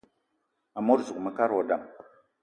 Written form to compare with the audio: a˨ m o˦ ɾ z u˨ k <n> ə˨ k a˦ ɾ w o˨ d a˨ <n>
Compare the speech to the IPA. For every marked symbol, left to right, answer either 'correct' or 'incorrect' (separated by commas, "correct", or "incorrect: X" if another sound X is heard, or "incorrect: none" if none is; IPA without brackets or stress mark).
incorrect: m, incorrect: m